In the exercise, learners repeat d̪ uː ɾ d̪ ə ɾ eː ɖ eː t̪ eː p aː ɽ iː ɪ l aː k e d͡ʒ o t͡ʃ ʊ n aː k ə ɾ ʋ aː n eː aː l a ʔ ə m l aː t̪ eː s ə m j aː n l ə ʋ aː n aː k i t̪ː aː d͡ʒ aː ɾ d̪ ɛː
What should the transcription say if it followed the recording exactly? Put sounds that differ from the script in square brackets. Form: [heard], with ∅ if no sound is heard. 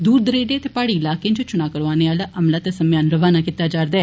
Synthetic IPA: d̪ uː ɾ d̪ ə ɾ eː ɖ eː t̪ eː p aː ɽ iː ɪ l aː k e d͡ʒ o t͡ʃ ʊ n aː k ə ɾ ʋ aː n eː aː l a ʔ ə m l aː t̪ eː s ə m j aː n [ɾ] ə ʋ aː n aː k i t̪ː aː d͡ʒ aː ɾ d̪ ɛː